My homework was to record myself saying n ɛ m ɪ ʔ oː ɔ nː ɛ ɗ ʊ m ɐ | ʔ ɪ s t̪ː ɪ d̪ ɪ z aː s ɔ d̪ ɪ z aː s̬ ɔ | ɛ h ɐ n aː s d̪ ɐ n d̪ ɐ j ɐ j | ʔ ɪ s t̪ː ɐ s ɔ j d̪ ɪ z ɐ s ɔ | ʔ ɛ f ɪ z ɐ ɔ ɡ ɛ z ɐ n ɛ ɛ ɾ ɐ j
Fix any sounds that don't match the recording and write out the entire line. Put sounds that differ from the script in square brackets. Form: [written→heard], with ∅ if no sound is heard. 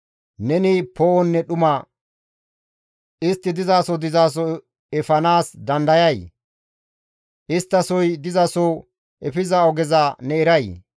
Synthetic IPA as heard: n ɛ [m→n] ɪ [ʔ→p] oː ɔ nː ɛ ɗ ʊ m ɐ | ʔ ɪ s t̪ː ɪ d̪ ɪ z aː s ɔ d̪ ɪ z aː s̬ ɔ | ɛ [h→f] ɐ n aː s d̪ ɐ n d̪ ɐ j ɐ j | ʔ ɪ s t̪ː ɐ s ɔ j d̪ ɪ z ɐ s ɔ | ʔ ɛ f ɪ z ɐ ɔ ɡ ɛ z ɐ n ɛ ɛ ɾ ɐ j